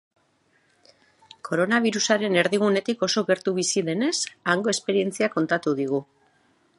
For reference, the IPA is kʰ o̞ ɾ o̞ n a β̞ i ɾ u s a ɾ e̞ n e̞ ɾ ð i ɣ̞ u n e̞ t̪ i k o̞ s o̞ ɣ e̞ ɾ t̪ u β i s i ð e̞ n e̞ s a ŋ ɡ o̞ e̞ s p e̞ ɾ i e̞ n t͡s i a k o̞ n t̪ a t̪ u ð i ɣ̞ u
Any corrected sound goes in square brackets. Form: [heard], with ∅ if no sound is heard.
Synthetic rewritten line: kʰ o̞ ɾ o̞ n a β̞ i ɾ u s a ɾ e̞ n e̞ ɾ ð i ɣ̞ u n e̞ t̪ i k o̞ s o̞ ɣ e̞ ɾ t̪ u β i s i ð e̞ n e̞ s a ŋ ɡ o̞ e̞ s p e̞ ɾ i e̞ n t͡s i a k o̞ n t̪ a t̪ u ð i ɣ̞ u